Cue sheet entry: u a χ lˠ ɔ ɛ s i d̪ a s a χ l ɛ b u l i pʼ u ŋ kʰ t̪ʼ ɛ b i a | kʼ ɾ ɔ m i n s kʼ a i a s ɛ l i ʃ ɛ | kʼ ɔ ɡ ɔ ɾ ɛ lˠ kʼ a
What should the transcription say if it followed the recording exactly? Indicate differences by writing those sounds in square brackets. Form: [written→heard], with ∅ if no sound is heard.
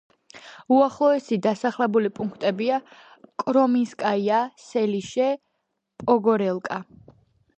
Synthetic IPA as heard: u a χ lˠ ɔ ɛ s i d̪ a s a χ l ɛ b u l i pʼ u ŋ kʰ t̪ʼ ɛ b i a | kʼ ɾ ɔ m i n s kʼ a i a s ɛ l i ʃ ɛ | [kʼ→pʼ] ɔ ɡ ɔ ɾ ɛ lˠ kʼ a

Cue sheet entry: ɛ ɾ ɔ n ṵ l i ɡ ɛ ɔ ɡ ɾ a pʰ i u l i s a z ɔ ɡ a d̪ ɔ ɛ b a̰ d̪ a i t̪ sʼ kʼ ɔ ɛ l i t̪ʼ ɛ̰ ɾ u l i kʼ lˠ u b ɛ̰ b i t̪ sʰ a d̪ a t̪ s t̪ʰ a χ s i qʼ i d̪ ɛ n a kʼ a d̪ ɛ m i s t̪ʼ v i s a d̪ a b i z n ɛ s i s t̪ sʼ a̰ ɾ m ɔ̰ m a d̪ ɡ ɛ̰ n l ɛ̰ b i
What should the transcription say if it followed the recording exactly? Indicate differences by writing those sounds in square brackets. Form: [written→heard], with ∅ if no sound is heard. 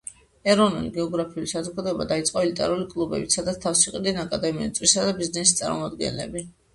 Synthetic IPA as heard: ɛ ɾ ɔ n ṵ l i ɡ ɛ ɔ ɡ ɾ a pʰ i u l i s a z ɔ ɡ a d̪ ɔ ɛ b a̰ d̪ a i t̪ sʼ [kʼ→qʼ] ɔ ɛ l i t̪ʼ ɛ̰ ɾ u l i kʼ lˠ u b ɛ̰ b i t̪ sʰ a d̪ a t̪ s t̪ʰ a [χ→f] s i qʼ i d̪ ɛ n a kʼ a d̪ ɛ m i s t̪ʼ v i s a d̪ a b i z n ɛ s i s t̪ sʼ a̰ ɾ m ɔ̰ m a d̪ ɡ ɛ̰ n l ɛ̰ b i

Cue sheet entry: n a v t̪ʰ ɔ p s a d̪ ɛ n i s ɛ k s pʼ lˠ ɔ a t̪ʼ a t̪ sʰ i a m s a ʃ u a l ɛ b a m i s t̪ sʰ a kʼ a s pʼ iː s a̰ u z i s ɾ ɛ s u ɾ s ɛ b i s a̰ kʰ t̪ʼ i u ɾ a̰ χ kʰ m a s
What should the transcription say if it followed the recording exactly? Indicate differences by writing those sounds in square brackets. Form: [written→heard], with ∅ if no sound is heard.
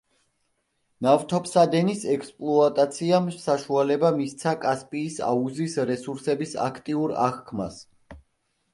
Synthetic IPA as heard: n a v t̪ʰ ɔ p s a d̪ ɛ n i s ɛ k s pʼ lˠ ɔ a t̪ʼ a t̪ sʰ i a m s a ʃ u a l ɛ b a m i s t̪ sʰ a kʼ a s pʼ iː s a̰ u z i s ɾ ɛ s u ɾ s ɛ b i s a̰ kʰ t̪ʼ i u ɾ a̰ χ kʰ m a s

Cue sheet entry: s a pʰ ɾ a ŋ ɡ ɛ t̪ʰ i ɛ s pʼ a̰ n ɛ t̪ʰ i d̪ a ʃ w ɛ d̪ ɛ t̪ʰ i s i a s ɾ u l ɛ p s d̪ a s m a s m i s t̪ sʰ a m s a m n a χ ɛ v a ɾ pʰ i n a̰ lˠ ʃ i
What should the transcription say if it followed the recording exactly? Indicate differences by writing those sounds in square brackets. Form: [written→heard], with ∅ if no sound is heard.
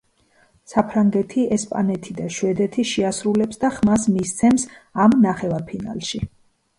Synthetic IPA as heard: s a pʰ ɾ a ŋ ɡ ɛ t̪ʰ i ɛ s pʼ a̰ n ɛ t̪ʰ i d̪ a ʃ w ɛ d̪ ɛ t̪ʰ i [s→ʃ] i a s ɾ u l ɛ p s d̪ a [s→χ] m a s m i s t̪ sʰ [a→ɛ] m s a m n a χ ɛ v a ɾ pʰ i n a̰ lˠ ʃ i

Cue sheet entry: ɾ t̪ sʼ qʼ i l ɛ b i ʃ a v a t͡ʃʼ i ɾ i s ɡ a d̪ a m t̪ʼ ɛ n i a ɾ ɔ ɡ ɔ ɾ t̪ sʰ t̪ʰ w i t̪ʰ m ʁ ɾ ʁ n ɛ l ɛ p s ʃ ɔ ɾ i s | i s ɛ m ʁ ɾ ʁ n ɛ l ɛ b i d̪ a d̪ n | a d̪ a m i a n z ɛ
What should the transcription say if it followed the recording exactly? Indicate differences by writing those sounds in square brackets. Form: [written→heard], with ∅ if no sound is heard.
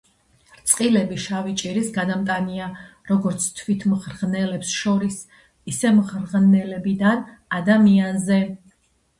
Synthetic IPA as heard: ɾ t̪ sʼ qʼ i l ɛ b i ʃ a v [a→i] t͡ʃʼ i ɾ i s ɡ a d̪ a m t̪ʼ [ɛ→a] n i a ɾ ɔ ɡ ɔ ɾ t̪ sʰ t̪ʰ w i t̪ʰ m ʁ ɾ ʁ n ɛ l ɛ p s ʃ ɔ ɾ i s | i s ɛ m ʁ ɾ ʁ n ɛ l ɛ b i d̪ a [d̪→∅] n | a d̪ a m i a n z ɛ

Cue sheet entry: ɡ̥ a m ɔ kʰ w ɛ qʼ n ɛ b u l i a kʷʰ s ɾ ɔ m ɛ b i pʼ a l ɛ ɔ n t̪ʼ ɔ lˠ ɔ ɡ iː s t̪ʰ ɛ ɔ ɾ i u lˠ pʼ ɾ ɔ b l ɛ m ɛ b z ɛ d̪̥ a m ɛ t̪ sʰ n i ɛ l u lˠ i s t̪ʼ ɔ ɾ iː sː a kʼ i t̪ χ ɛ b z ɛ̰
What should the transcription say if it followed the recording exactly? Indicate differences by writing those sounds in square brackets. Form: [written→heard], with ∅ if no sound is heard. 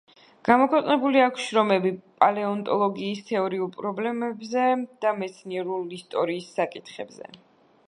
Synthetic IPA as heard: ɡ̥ a m ɔ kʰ w ɛ qʼ n ɛ b u l i a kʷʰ [s→ʃ] ɾ ɔ m ɛ b i pʼ a l ɛ ɔ n t̪ʼ ɔ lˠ ɔ ɡ iː s t̪ʰ ɛ ɔ ɾ i u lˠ pʼ ɾ ɔ b l ɛ m ɛ b z ɛ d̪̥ a m ɛ t̪ sʰ n i ɛ [l→ɾ] u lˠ i s t̪ʼ ɔ ɾ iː sː a kʼ i t̪ χ ɛ b z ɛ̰

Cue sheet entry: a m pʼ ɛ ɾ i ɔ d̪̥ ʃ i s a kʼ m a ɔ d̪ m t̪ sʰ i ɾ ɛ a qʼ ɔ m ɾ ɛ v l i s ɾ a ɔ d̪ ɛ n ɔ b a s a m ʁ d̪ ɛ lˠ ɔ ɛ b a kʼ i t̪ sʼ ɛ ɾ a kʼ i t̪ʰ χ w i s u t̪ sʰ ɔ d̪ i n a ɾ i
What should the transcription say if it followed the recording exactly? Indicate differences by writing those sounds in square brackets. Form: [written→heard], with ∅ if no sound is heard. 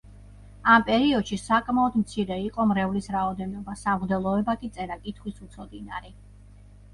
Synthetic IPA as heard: a m pʼ ɛ ɾ i ɔ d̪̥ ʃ i s a kʼ m a ɔ d̪ m t̪ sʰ i ɾ ɛ [a→i] qʼ ɔ m ɾ ɛ v l i s ɾ a ɔ d̪ ɛ n ɔ b a s a m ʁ d̪ ɛ lˠ ɔ ɛ b a kʼ i t̪ sʼ ɛ ɾ a kʼ i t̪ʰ χ w i s u t̪ sʰ ɔ d̪ i n a ɾ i

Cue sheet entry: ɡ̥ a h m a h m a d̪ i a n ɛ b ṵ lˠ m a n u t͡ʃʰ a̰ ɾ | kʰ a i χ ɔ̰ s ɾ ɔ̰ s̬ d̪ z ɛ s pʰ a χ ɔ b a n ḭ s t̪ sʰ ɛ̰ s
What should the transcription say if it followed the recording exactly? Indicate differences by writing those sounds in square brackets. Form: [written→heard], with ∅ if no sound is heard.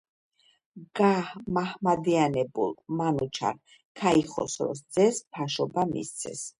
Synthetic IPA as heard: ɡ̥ a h m a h m a d̪ i a n ɛ b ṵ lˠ m a n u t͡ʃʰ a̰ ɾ | kʰ a i χ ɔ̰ s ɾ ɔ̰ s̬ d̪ z ɛ s pʰ a [χ→ʃ] ɔ b a [n→m] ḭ s t̪ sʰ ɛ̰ s

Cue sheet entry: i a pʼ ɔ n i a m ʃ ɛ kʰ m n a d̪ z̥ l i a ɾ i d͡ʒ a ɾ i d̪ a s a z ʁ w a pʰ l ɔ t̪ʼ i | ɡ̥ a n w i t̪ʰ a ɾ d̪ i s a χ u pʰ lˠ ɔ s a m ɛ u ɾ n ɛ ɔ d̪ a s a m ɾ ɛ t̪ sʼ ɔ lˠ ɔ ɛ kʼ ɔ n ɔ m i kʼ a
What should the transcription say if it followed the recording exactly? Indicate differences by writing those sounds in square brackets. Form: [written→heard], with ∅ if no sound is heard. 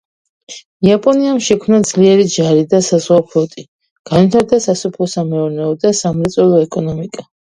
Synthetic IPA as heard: i a pʼ ɔ n i a m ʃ ɛ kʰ m n a d̪ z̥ l i [a→ɛ] ɾ i d͡ʒ a ɾ i d̪ a s a z ʁ w a pʰ l ɔ t̪ʼ i | ɡ̥ a n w i t̪ʰ a ɾ d̪ [i→a] s a [χ→s] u pʰ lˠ ɔ s a m ɛ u ɾ n ɛ ɔ d̪ a s a m ɾ ɛ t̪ sʼ ɔ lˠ ɔ ɛ kʼ ɔ n ɔ m i kʼ a

